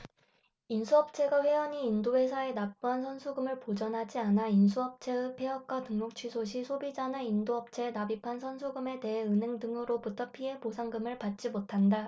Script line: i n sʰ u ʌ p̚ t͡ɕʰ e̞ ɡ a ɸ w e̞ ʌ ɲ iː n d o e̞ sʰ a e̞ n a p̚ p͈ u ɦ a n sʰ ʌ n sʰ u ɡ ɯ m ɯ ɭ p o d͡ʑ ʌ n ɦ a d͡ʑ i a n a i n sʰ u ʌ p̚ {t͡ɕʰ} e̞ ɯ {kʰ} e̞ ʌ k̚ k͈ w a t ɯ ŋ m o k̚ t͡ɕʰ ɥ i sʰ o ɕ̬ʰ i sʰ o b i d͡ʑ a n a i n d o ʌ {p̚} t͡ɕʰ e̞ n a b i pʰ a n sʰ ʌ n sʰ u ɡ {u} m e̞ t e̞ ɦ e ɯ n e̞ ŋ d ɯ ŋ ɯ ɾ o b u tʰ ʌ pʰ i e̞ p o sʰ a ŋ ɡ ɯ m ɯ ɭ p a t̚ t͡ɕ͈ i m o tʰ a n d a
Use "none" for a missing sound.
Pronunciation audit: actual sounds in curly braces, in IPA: t͡ɕʰ, pʰ, p̚, ɯ

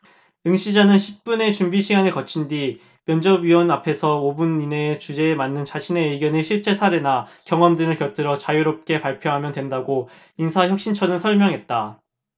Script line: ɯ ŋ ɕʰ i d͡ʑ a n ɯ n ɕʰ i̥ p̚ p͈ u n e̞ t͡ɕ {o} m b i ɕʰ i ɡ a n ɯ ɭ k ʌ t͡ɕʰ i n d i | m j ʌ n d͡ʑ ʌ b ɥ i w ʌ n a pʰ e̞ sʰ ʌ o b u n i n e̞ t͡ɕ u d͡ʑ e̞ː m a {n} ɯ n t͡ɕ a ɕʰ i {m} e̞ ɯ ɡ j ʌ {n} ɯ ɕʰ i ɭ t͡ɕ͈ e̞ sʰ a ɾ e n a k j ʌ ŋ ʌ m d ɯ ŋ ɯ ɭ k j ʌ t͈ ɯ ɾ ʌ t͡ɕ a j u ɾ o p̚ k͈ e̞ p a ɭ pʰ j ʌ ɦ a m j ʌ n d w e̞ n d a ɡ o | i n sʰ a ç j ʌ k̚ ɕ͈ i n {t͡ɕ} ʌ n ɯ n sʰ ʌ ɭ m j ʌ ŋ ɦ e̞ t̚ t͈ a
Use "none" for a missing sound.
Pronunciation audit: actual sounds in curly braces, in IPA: u, nː, n, n, t͡ɕʰ

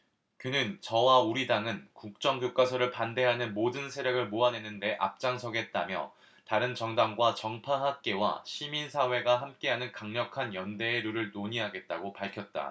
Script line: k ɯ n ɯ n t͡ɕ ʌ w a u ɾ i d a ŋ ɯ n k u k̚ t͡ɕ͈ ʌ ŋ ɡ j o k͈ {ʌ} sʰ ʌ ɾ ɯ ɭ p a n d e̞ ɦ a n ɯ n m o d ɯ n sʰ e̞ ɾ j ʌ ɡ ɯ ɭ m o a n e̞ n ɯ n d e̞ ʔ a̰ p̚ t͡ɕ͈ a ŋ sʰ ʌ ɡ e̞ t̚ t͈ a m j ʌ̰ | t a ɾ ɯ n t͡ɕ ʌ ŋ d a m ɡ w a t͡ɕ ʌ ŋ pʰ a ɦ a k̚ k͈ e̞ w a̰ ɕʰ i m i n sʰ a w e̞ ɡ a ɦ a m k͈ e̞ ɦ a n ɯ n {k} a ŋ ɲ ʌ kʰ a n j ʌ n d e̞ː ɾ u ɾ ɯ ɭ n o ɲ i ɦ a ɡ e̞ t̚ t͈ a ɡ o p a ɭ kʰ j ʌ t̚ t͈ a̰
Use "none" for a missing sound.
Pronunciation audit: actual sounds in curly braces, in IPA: a, k

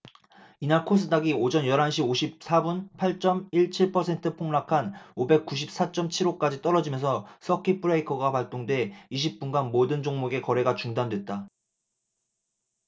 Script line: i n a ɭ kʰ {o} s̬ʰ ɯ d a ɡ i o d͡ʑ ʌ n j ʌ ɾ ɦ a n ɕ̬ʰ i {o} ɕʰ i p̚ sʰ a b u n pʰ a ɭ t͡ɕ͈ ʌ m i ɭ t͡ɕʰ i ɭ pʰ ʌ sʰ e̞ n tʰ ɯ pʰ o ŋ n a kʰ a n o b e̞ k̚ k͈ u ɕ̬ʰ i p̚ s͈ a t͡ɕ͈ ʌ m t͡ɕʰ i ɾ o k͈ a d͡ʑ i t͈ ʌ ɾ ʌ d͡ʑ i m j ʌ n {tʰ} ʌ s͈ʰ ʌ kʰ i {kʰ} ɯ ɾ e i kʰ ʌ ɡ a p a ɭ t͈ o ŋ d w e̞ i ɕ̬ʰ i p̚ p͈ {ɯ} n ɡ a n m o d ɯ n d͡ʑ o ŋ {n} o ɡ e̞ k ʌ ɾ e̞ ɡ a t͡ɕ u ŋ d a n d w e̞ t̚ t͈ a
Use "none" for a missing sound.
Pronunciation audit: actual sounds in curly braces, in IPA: o, o, sʰ, pʰ, u, m

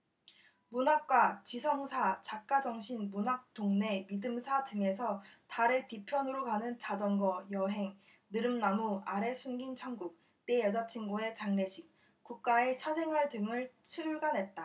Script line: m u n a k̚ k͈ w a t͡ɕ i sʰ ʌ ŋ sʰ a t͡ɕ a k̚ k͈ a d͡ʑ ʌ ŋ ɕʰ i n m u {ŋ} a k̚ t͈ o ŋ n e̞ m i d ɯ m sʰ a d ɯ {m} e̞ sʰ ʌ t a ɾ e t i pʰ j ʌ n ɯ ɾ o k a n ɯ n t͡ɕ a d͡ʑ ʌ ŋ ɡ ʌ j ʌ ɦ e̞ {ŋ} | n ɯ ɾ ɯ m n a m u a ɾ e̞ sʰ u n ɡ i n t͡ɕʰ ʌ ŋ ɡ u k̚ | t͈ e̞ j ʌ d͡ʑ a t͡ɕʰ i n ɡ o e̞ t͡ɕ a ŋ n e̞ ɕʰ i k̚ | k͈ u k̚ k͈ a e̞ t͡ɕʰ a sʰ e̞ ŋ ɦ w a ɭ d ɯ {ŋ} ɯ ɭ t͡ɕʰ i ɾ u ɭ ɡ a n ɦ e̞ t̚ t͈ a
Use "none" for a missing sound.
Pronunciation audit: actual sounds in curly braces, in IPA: n, ŋ, ŋ, ŋ

